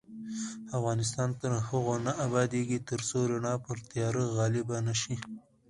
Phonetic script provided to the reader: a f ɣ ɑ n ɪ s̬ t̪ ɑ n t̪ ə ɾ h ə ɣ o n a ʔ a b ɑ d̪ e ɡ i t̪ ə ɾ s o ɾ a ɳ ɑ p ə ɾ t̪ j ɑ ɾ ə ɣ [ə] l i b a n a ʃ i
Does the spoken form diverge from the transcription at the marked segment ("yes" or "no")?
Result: yes